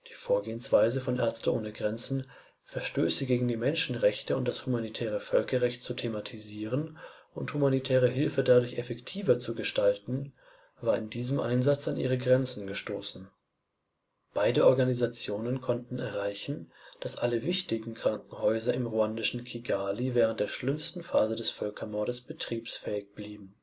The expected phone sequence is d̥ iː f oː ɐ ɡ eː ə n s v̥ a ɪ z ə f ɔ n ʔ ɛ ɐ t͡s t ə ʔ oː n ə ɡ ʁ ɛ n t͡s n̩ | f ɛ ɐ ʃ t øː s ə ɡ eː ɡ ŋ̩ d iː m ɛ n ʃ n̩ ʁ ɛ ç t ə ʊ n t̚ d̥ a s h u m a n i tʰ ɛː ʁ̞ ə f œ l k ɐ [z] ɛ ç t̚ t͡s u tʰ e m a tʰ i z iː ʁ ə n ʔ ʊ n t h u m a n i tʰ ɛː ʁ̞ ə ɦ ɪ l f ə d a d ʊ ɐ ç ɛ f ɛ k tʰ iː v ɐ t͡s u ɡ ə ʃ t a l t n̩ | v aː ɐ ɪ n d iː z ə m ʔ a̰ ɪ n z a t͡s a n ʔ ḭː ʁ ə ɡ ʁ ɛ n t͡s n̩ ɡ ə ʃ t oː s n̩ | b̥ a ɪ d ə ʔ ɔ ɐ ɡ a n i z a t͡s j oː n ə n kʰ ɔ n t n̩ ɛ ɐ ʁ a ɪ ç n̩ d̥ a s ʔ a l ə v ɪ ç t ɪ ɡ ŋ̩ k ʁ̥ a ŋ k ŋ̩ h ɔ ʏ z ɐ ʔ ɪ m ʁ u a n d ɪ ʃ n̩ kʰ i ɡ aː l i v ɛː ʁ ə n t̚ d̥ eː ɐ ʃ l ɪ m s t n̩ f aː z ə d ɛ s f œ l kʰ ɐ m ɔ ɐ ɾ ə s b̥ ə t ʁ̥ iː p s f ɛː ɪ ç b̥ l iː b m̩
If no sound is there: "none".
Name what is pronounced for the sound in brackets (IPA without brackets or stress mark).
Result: ʁ